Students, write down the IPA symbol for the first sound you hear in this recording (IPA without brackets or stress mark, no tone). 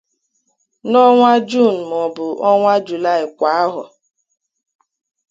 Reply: n